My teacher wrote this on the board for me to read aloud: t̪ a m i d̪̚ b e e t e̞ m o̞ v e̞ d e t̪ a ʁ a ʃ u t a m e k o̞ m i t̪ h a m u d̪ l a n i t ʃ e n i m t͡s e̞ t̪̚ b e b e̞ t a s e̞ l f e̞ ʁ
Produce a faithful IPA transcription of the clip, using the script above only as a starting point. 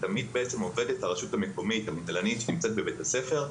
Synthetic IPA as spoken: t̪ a m i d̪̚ b e e t͡s e̞ m o̞ v e̞ d e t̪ a ʁ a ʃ u t a m e k o̞ m i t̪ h a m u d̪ l a n i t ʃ e n i m t͡s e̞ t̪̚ b e b e̞ t a s e̞ f e̞ ʁ